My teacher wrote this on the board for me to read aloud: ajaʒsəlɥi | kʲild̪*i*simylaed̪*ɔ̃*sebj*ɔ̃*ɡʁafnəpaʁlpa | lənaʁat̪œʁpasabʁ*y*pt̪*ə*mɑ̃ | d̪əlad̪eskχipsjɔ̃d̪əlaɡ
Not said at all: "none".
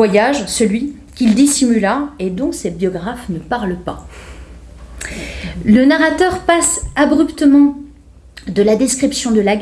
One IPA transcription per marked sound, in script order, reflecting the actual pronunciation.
i, ɔ̃, ɔ, y, ə

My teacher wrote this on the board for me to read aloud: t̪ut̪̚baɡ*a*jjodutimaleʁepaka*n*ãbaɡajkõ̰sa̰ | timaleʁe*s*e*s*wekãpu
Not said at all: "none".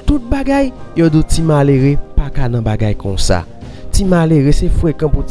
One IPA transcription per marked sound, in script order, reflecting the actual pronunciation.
a, n, s, f

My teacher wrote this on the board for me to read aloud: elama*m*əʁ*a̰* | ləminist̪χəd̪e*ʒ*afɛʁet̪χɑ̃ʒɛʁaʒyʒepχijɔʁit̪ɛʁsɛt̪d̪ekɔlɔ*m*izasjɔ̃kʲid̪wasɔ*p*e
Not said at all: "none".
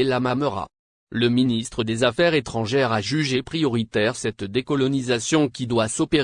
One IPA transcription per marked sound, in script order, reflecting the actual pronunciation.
m, a̰, z, n, p

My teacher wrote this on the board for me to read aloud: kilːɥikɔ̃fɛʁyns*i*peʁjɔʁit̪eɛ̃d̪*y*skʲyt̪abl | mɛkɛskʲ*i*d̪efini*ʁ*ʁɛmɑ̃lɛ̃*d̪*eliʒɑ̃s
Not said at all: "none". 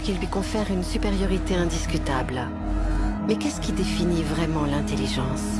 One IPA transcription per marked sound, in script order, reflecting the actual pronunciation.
y, i, i, v, t̪

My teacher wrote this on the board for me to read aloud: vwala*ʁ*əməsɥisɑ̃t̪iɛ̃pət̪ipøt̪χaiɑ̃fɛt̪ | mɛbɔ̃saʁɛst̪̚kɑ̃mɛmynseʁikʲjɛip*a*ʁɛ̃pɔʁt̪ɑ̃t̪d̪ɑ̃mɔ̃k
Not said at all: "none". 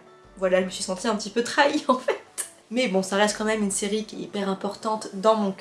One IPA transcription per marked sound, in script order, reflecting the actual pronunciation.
ʒ, ɛ

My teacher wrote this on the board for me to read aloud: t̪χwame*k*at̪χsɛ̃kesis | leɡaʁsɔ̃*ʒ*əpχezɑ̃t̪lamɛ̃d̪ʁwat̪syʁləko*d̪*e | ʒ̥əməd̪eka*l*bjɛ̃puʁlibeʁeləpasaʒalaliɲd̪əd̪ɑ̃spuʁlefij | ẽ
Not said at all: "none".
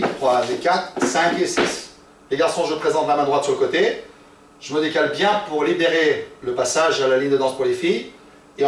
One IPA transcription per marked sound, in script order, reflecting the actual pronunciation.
k, ʒ, t̪, l

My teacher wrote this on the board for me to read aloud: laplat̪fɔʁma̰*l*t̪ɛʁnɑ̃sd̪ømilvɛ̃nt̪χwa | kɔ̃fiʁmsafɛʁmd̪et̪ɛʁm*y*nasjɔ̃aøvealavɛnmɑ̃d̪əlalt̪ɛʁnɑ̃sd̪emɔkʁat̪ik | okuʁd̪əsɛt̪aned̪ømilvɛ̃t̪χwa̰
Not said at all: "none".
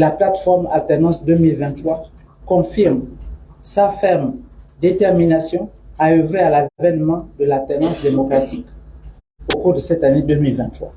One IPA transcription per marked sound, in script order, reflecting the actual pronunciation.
l, i

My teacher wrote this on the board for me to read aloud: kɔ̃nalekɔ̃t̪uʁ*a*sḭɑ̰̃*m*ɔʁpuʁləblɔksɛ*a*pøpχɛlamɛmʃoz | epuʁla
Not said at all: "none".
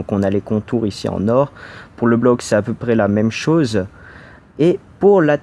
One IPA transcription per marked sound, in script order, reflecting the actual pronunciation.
i, n, a

